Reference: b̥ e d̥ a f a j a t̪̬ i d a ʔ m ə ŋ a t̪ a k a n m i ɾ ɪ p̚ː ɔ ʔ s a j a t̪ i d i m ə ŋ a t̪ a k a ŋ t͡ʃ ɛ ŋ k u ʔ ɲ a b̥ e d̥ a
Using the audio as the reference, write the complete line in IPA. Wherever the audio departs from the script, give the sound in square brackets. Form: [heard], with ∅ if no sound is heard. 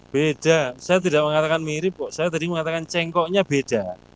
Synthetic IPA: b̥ e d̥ a [s] a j a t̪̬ i d a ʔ m ə ŋ a t̪ a k a n m i ɾ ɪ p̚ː ɔ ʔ s a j a t̪ [a] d i m ə ŋ a t̪ a k a [n] t͡ʃ ɛ ŋ k [ɔ] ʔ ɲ a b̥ e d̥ a